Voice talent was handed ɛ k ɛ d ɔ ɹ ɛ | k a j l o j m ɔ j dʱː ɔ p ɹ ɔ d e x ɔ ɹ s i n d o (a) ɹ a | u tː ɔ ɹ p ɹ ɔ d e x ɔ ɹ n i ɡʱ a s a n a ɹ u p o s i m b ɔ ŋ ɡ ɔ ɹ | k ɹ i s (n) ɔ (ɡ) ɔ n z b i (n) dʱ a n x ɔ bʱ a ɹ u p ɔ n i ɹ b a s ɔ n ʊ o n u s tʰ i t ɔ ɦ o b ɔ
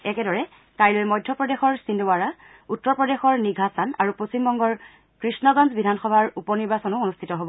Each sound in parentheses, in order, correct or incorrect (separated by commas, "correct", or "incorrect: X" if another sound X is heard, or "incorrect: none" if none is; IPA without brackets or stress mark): correct, correct, correct, incorrect: none